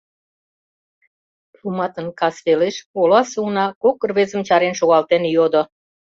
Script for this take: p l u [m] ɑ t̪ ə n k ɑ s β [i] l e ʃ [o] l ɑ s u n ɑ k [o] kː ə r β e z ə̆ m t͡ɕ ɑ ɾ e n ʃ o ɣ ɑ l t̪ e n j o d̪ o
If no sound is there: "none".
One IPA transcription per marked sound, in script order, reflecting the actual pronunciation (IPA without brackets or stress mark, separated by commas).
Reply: m, e, o, o